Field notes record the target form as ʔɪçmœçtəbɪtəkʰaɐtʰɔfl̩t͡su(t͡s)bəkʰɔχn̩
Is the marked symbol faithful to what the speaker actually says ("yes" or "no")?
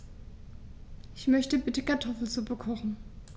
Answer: no